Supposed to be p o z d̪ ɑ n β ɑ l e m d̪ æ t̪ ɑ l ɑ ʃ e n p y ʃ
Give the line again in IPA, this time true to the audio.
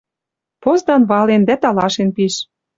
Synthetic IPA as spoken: p o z d̪ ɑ n β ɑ l e n d̪ æ t̪ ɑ l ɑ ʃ e n p i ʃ

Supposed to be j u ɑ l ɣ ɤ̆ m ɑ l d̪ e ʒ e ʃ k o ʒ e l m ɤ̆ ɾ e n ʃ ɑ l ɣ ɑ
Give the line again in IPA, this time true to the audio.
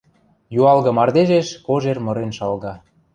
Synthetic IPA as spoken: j u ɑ l ɣ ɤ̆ m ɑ r d̪ e ʒ e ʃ k o ʒ e r m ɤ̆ ɾ e n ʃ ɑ l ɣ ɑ

